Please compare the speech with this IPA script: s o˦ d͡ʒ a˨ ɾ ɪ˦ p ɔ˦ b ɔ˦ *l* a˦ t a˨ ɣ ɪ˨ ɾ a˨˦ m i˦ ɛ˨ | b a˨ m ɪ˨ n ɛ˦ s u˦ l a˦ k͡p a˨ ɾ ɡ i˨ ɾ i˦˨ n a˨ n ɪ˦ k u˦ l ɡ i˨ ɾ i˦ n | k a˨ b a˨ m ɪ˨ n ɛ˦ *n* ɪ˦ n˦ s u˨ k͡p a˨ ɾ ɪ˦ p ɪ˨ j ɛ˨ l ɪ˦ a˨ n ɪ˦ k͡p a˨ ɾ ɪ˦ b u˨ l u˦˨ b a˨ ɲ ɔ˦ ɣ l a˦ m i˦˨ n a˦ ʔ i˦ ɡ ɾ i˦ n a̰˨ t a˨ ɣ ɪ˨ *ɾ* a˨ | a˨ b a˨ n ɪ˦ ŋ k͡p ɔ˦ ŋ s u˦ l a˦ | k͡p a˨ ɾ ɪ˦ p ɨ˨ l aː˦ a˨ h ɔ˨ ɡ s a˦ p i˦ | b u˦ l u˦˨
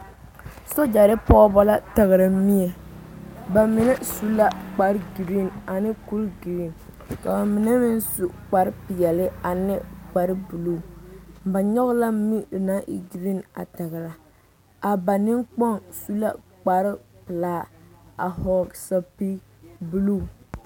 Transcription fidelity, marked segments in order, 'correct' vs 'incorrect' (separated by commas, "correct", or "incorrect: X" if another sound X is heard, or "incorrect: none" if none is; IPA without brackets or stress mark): correct, incorrect: m, correct